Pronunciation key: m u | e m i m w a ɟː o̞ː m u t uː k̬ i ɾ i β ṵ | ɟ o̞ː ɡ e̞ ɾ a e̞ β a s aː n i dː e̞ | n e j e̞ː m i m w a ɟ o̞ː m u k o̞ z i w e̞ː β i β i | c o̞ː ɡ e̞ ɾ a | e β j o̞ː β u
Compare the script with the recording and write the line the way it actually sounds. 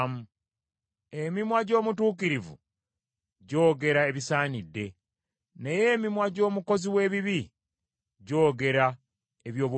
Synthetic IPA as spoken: m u | e m i m w a ɟ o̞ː m u t uː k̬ i ɾ i v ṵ | ɟ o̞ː ɡ e̞ ɾ a e̞ β i s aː n i dː e̞ | n e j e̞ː m i m w a ɟ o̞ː m u k o̞ z i w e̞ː β i β i | ɟ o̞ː ɡ e̞ ɾ a | e β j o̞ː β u

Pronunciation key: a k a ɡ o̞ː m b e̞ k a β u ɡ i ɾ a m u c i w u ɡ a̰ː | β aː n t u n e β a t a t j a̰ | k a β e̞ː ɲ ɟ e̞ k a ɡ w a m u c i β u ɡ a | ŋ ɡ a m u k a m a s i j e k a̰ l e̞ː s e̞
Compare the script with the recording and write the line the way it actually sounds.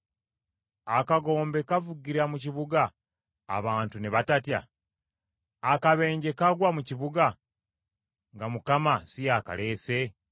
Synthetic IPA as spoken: a k a ɡ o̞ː m b e̞ k a v u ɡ i ɾ a m u c i β u ɡ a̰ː | β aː n t u n e β a t a t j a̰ | k a β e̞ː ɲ ɟ e̞ k a ɡ w a m u c i β u ɡ a | ŋ ɡ a m u k a m a s i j a k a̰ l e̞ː s e̞

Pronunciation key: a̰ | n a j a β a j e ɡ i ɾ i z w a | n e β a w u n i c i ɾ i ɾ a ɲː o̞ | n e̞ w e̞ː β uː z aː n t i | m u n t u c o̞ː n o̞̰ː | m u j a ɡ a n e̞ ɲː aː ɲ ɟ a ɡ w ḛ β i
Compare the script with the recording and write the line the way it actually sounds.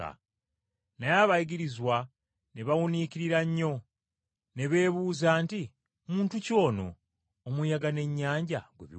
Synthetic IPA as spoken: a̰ | n a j a β a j i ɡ i ɾ i z w a | n e β a w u n i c i ɾ i ɾ a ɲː o̞ | n e̞ β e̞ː β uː z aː n t i | m uː n t u c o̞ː n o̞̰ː | m u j a ɡ a n e̞ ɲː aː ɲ ɟ a ɡ w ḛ β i

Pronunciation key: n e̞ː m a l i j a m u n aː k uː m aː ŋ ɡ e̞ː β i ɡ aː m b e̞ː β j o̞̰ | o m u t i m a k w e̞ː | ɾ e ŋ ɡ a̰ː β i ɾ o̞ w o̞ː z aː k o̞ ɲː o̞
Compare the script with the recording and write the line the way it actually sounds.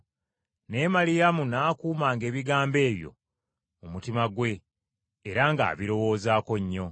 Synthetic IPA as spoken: n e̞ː m a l i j a m u n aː k uː m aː ŋ ɡ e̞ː β i ɡ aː m b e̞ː β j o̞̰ | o m u t i m a ɡ w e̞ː | ɾ a ŋ ɡ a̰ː β i ɾ o̞ w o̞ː z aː k o̞ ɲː o̞

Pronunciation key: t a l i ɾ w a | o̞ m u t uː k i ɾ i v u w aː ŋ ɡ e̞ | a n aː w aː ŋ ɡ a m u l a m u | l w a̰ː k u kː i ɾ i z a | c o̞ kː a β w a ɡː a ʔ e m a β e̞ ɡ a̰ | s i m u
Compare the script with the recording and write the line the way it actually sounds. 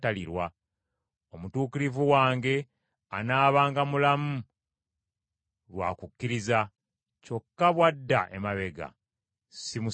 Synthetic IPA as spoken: t a l i ɾ w a | o̞ m u t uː k i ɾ i v u w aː ŋ ɡ e̞ | a n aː β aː ŋ ɡ a m u l a m u | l w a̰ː k u kː i ɾ i z a | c o̞ kː a β w a dː a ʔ e m a β e̞ ɡ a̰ | s i m u

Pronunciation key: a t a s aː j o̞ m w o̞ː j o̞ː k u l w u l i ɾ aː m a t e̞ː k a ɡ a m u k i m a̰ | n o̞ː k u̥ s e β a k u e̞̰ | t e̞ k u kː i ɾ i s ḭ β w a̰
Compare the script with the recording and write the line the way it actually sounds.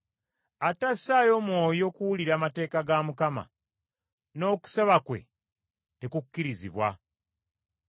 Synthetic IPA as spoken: a t a s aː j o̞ m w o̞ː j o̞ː k u w u l i ɾ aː m a t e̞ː k a ɡ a m u k a m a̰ | n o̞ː k u̥ s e β a k w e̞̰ | t e̞ k u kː i ɾ i z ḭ β w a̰

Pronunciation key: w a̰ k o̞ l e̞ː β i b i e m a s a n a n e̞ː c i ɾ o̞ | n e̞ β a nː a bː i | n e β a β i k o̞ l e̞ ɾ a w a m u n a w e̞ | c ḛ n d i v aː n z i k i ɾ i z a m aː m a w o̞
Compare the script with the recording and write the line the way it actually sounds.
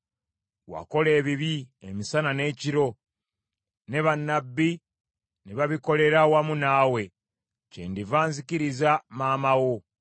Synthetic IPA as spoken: w a̰ k o̞ l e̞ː β i β i e m i s a n a n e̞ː c i ɾ o̞ | n e̞ β a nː a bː i | n e β a β i k o̞ l e̞ ɾ a w a m u n a w e̞ | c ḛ n d i v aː n z i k i ɾ i z a m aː m a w o̞

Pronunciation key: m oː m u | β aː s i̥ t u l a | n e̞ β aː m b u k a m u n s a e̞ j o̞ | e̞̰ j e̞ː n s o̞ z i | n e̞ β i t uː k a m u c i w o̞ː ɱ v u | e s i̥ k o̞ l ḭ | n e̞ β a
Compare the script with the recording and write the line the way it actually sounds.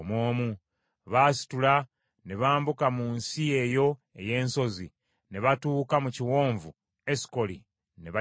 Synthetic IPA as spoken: m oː m u | β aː s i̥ t u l a | n e̞ β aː m b u k a m u n s i e̞ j o̞ | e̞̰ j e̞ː n s o̞ z i | n e̞ β a t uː k a m u c i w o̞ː ɱ v u | e s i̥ k o̞ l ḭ | n e̞ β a

